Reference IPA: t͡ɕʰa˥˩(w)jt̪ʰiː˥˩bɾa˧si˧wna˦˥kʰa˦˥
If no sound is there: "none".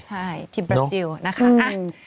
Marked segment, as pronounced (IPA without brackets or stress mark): none